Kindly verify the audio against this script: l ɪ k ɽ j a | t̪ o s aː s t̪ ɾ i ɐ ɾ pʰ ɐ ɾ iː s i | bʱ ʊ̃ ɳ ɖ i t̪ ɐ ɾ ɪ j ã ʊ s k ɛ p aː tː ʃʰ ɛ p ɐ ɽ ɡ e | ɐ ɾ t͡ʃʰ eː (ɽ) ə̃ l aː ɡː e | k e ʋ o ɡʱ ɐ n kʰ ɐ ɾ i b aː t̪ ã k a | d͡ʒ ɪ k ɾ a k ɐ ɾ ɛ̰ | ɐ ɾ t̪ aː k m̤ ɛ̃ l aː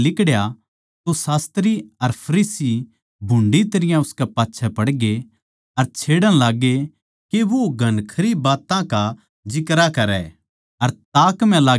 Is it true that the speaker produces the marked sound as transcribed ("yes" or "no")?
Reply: yes